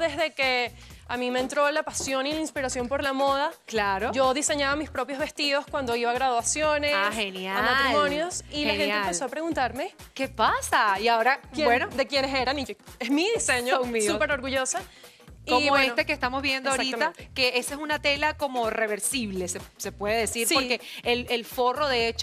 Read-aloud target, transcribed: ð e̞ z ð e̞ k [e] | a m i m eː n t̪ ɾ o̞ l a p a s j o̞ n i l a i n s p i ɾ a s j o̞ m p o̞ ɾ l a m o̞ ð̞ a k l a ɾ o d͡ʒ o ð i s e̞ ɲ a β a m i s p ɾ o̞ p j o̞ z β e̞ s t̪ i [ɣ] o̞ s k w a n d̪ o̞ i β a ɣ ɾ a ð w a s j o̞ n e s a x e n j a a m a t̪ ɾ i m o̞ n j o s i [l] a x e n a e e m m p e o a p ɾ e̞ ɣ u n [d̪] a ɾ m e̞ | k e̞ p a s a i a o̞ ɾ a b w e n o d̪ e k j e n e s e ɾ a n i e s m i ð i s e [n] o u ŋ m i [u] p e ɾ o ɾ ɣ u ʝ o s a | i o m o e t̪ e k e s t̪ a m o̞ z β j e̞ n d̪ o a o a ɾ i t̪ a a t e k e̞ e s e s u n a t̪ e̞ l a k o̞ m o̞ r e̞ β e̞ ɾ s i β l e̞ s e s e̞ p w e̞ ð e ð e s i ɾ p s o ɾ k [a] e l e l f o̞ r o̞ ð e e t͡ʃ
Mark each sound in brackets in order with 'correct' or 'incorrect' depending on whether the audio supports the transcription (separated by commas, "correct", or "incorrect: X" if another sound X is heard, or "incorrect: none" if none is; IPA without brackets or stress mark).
correct, incorrect: ð, correct, incorrect: t̪, incorrect: ɲ, correct, incorrect: e